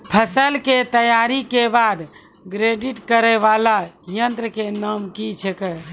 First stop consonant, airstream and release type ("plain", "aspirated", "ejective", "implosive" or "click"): aspirated